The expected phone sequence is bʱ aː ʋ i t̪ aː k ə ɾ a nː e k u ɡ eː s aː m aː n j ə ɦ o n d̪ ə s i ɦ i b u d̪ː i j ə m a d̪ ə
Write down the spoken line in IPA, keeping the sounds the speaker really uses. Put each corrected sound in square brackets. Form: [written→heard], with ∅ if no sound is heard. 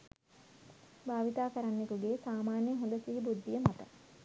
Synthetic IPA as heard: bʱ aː ʋ i t̪ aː k ə ɾ a nː e k u ɡ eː s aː m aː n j ə ɦ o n d̪ ə s i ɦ i b u d̪ː i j ə m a [d̪→t̪] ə